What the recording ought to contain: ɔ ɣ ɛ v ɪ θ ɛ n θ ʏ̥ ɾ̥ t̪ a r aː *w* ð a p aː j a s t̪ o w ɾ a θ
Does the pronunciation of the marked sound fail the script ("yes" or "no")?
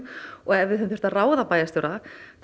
no